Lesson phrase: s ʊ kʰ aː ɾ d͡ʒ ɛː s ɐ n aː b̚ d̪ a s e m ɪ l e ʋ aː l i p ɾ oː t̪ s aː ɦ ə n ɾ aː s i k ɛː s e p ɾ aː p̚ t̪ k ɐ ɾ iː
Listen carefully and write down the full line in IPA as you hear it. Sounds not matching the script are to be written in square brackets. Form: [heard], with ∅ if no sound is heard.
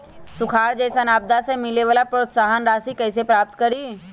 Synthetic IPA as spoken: s ʊ kʰ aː ɾ d͡ʒ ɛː s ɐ n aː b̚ d̪ a s e m ɪ l e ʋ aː l [a] p ɾ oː t̪ s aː ɦ ə n ɾ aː s i k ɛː s e p ɾ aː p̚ t̪ k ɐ ɾ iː